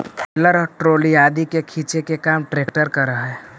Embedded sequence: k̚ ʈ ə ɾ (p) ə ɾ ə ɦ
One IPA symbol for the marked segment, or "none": k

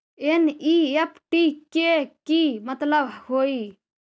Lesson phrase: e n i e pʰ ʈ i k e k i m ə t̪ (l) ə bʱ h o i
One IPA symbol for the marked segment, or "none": l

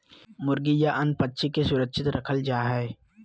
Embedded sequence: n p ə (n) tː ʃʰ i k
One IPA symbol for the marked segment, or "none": none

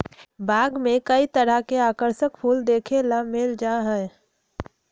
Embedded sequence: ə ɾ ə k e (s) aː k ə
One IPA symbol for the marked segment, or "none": none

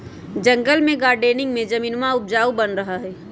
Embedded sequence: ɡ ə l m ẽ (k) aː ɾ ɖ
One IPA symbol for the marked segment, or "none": ɡ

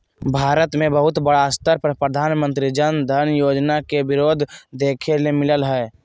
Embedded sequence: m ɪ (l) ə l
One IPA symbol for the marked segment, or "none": l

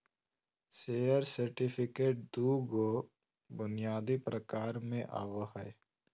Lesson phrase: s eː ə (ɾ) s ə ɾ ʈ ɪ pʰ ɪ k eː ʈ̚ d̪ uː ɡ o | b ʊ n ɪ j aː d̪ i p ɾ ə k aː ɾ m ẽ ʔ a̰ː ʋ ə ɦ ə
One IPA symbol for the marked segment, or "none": ɾ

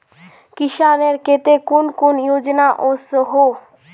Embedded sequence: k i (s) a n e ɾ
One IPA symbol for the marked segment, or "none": ʃ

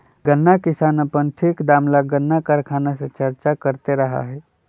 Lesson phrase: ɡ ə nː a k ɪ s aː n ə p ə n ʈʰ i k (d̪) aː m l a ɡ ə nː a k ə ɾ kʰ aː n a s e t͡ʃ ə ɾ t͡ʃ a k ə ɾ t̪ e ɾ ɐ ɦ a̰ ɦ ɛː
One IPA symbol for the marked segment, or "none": d̪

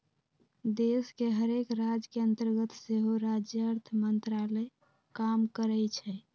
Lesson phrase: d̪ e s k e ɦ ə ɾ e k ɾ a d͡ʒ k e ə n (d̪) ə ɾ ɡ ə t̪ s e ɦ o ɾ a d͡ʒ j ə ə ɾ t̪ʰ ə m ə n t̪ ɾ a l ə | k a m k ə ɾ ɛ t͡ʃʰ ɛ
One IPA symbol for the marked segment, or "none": t̪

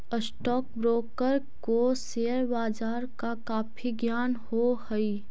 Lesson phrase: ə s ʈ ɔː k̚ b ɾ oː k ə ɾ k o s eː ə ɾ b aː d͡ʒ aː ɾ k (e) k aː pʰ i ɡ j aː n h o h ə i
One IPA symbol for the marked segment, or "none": a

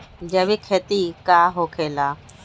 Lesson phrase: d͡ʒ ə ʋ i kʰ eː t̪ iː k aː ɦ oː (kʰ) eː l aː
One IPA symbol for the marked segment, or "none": kʰ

